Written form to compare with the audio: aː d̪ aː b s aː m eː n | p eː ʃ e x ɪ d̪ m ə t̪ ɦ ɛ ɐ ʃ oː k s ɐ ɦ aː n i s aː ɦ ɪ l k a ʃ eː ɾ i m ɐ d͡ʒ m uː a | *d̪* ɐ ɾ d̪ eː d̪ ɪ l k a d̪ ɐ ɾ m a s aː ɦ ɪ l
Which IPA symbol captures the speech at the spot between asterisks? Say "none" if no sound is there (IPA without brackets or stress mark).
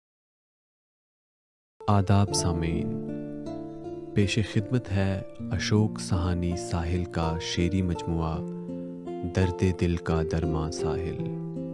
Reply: d̪